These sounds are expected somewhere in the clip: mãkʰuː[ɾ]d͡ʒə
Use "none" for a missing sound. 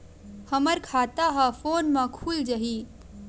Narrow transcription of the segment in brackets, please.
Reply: l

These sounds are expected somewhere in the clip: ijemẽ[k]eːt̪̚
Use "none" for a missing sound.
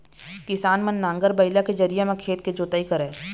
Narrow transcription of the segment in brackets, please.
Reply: kʰ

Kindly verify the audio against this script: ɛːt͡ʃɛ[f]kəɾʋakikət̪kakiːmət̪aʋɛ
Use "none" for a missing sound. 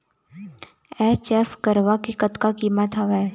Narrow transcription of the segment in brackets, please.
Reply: f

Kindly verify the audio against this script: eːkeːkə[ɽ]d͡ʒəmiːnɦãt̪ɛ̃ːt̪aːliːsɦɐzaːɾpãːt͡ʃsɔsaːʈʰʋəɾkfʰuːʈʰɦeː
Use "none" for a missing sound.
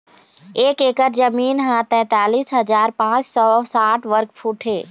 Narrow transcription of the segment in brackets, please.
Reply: ɾ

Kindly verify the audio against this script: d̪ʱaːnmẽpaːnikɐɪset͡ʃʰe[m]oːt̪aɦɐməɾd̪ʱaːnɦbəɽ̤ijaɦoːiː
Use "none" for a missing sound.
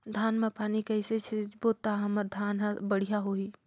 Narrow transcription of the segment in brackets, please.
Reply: b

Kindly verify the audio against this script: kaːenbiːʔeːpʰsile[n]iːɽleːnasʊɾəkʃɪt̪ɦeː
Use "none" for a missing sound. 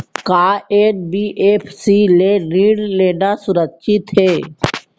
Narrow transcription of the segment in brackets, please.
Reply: n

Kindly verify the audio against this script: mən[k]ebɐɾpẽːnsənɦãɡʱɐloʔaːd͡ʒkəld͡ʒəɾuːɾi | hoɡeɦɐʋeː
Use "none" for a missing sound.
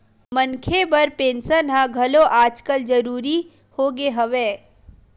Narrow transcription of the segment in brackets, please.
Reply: kʰ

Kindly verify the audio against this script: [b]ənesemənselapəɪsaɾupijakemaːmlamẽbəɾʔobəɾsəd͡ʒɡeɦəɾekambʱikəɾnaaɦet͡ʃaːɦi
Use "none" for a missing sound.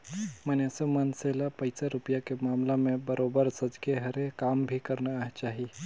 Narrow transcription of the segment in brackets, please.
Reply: m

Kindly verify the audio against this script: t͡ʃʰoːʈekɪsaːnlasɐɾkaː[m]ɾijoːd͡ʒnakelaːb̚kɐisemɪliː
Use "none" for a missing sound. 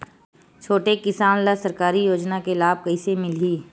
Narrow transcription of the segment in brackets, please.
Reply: none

